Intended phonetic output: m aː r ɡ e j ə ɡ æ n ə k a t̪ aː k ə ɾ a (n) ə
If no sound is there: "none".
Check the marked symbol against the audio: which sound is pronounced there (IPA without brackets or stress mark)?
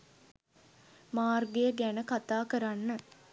nː